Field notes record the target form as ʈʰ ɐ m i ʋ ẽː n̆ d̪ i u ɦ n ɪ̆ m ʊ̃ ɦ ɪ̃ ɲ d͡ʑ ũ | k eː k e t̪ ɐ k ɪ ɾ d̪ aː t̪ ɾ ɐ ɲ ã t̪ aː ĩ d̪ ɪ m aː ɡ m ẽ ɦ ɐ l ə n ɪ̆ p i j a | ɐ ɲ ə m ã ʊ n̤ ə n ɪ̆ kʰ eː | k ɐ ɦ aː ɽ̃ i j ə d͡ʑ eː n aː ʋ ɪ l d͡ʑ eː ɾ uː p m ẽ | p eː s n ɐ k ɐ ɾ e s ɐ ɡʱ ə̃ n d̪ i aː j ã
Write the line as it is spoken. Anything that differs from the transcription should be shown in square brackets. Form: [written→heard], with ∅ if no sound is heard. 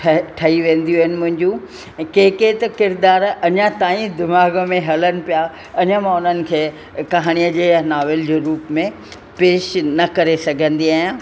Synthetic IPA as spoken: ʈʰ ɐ [m→∅] i ʋ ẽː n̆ d̪ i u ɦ n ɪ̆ m ʊ̃ ɦ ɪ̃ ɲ d͡ʑ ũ | k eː k e t̪ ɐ k ɪ ɾ d̪ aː [t̪→∅] ɾ ɐ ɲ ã t̪ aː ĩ d̪ ɪ m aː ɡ m ẽ ɦ ɐ l ə n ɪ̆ p i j a | ɐ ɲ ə m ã ʊ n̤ ə n ɪ̆ kʰ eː | k ɐ ɦ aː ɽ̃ i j ə d͡ʑ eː n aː ʋ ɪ l d͡ʑ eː ɾ uː p m ẽ | p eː [s→ʃ] n ɐ k ɐ ɾ e s ɐ ɡʱ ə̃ n d̪ i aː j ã